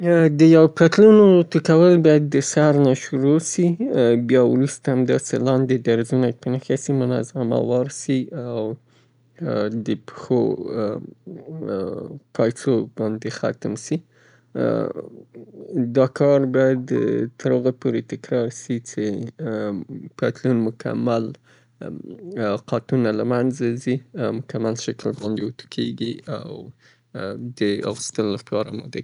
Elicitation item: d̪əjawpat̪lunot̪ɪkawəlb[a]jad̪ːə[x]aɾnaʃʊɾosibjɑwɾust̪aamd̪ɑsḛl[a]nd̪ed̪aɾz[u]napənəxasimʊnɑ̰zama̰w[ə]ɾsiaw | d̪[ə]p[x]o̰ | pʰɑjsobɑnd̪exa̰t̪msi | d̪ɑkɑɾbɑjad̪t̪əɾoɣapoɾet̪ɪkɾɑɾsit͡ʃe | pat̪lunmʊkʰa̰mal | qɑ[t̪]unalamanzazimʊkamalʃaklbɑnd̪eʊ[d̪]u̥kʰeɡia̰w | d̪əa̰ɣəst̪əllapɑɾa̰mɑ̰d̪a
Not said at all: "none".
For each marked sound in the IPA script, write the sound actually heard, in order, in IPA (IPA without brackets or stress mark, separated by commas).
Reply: ɑ, s, ɑ, u, ɑ, ə, x, t̪, t̪